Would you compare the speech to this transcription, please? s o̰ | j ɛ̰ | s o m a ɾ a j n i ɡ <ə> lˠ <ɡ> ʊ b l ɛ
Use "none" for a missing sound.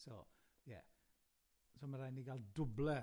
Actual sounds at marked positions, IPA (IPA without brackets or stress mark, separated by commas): a, d